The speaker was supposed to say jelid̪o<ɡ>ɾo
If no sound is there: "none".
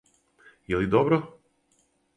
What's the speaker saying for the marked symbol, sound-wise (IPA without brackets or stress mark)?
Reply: b